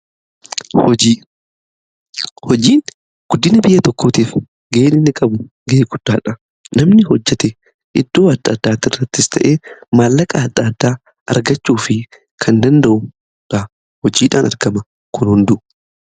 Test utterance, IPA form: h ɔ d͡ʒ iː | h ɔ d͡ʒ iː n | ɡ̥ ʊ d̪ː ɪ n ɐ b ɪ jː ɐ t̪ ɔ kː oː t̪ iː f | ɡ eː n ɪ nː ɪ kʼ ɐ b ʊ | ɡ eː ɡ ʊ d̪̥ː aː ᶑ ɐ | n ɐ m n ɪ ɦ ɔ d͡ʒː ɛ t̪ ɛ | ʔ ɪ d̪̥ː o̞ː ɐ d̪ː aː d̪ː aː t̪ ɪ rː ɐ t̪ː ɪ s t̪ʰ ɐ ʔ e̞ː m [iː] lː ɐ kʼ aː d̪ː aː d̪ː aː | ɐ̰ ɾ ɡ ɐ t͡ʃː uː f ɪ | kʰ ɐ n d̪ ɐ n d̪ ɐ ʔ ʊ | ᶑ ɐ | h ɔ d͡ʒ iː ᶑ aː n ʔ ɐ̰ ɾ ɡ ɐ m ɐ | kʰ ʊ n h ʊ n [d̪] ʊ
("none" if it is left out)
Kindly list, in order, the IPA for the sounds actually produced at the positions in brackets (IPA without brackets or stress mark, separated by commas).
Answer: aː, d̪